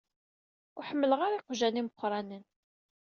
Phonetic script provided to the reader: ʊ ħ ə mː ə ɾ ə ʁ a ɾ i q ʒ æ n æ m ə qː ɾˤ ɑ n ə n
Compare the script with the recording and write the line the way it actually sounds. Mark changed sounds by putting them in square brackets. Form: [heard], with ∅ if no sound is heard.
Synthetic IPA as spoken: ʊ ħ ə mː ə [l] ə ʁ a ɾ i q ʒ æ n [i] m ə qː ɾˤ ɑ n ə n